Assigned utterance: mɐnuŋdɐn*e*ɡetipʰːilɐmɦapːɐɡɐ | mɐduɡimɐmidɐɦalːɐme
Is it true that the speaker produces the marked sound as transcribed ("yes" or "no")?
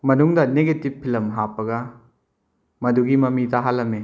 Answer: yes